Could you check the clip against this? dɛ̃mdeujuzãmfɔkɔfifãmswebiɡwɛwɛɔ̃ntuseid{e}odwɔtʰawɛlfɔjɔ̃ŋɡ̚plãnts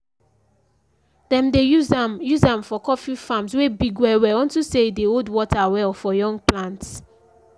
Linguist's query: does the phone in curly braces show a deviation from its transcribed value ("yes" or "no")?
no